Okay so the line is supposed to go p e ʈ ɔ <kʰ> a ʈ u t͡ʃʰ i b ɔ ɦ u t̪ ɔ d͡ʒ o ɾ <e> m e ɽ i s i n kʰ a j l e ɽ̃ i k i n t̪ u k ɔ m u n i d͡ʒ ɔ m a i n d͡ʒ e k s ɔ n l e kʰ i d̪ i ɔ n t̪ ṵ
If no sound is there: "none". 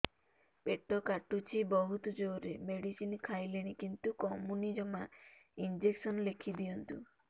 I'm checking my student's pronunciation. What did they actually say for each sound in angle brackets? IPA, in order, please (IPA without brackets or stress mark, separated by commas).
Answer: k, e